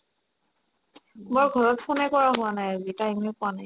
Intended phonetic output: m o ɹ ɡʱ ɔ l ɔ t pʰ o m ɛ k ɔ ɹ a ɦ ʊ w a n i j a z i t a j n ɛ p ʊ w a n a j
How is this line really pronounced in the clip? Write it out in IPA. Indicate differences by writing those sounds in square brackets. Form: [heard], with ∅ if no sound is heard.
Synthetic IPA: m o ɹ ɡʱ ɔ [ɹ] ɔ t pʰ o [n] ɛ k ɔ ɹ a ɦ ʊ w a n [a] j a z i t a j [m] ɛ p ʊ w a n a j